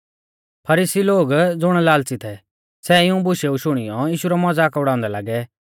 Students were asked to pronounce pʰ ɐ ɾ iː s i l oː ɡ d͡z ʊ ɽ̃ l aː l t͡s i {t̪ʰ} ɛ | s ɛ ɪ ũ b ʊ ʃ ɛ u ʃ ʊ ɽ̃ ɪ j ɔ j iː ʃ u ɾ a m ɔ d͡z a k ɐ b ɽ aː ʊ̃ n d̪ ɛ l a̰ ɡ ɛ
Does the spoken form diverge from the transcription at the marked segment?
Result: no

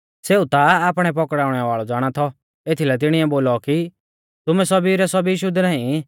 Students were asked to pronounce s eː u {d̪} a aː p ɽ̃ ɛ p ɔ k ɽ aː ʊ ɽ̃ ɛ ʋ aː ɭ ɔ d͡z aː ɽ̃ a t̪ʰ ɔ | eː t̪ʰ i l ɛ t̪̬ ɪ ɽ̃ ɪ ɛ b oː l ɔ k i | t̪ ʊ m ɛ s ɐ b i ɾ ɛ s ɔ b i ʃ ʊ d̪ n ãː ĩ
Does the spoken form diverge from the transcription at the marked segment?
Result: yes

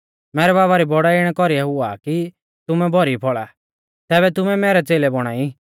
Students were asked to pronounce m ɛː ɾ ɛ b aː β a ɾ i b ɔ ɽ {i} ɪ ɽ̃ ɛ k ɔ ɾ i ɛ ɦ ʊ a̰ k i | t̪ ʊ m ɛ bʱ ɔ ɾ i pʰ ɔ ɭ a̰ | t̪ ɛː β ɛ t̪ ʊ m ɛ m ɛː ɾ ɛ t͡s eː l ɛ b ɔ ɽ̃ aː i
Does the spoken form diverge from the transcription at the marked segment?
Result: yes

